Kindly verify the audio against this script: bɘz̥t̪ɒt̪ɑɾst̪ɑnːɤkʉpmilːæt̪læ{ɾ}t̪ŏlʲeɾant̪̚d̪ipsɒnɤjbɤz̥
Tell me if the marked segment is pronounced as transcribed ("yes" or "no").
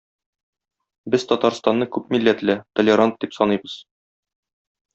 no